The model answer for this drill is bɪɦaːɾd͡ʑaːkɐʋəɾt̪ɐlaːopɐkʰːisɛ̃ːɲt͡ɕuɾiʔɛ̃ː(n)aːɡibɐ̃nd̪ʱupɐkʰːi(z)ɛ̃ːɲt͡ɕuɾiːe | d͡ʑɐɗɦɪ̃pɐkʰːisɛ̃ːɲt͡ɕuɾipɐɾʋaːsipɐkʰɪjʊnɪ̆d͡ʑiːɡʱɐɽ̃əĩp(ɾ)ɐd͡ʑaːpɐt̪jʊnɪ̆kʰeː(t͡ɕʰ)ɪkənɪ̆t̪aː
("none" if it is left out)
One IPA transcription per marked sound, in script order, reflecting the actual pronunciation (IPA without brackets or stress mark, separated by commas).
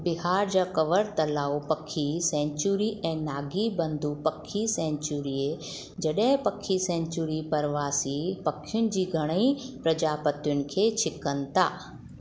n, s, ɾ, t͡ɕʰ